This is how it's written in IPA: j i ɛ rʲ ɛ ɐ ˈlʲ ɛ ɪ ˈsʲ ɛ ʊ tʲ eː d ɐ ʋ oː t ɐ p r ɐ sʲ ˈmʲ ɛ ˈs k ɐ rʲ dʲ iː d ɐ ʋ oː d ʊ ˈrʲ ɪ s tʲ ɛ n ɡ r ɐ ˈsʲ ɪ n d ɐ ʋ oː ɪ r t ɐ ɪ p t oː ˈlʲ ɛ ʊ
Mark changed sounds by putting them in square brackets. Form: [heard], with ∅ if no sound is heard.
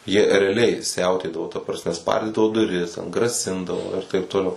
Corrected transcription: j i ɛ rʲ ɛ ɐ ˈlʲ ɛ ɪ ˈsʲ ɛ ʊ tʲ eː d ɐ ʋ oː t ɐ p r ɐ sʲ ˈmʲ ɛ ˈs [p] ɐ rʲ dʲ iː d ɐ ʋ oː d ʊ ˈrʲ ɪ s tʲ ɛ n ɡ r ɐ ˈsʲ ɪ n d ɐ ʋ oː ɪ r t ɐ ɪ p t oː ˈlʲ ɛ ʊ

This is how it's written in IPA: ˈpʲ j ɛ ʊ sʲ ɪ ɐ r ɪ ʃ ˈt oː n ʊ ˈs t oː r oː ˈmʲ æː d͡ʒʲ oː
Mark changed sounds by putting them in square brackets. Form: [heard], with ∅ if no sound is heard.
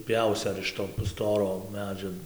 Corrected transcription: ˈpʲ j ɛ ʊ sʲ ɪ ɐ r ɪ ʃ ˈt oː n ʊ ˈs t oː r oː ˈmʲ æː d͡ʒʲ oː

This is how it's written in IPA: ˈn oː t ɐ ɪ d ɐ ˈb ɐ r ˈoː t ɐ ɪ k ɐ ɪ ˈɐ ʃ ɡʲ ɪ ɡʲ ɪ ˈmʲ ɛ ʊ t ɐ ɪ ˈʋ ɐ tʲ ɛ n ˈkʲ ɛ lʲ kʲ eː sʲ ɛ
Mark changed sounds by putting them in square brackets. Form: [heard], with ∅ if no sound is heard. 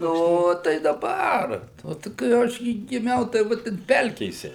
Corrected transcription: ˈn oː t ɐ ɪ d ɐ ˈb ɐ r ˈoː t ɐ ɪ k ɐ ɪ ˈɐ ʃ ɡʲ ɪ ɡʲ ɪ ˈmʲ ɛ ʊ t ɐ ɪ ˈʋ ɐ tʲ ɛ n [ˈpʲ] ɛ lʲ kʲ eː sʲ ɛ

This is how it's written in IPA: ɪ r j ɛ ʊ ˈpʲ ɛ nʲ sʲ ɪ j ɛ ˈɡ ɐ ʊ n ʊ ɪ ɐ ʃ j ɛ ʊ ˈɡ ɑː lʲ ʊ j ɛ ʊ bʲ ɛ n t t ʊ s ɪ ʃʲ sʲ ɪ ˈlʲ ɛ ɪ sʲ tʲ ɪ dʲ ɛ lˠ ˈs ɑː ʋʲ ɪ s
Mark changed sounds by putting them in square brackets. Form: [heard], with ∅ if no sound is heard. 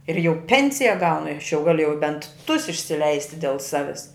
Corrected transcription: ɪ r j ɛ ʊ ˈpʲ ɛ nʲ sʲ ɪ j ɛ ˈɡ ɐ ʊ n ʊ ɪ ɐ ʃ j ɛ ʊ ˈɡ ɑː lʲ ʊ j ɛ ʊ bʲ ɛ n t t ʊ s ɪ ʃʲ sʲ ɪ ˈlʲ ɛ ɪ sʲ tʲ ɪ dʲ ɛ lˠ ˈs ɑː ʋʲ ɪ s

